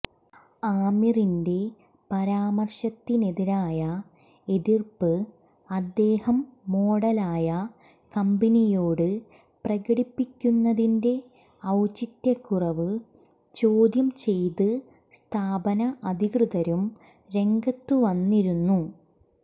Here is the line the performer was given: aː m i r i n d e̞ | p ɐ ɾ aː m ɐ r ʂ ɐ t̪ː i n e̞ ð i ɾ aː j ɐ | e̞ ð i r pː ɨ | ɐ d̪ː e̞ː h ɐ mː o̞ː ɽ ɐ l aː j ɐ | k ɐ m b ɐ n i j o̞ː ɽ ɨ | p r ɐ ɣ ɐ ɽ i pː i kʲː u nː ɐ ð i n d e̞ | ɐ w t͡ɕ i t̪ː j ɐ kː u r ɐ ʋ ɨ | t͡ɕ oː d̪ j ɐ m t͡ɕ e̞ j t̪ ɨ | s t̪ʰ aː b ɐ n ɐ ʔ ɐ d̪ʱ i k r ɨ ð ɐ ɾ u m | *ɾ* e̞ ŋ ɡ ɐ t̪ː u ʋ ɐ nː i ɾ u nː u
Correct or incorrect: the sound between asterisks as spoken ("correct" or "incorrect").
correct